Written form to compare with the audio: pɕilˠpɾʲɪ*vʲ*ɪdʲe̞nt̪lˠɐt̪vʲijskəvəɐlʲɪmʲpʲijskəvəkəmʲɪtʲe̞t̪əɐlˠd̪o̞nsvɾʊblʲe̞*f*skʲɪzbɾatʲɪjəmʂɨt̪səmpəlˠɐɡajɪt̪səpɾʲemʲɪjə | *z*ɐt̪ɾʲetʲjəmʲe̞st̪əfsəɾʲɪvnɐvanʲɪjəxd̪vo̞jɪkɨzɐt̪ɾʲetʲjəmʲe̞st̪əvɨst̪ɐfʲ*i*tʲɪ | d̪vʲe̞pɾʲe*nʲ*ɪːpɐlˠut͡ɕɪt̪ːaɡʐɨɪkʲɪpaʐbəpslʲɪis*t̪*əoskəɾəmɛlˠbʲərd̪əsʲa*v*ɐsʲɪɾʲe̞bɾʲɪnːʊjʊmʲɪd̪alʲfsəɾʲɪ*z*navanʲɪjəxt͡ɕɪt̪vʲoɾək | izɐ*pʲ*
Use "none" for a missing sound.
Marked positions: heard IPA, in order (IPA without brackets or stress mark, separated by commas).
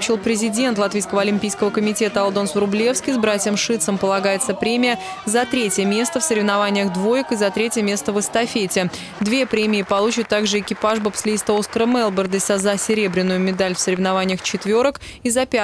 zʲ, f, z, e, mʲ, t̪, z, v, pʲ